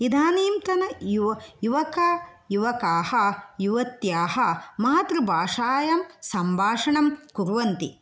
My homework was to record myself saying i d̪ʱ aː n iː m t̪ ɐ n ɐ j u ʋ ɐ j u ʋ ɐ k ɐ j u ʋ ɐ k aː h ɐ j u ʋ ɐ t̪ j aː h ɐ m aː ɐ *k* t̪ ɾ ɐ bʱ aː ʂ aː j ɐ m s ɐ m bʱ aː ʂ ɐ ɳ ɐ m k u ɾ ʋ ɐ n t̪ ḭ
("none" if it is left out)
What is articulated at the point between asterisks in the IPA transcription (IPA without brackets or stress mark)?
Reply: none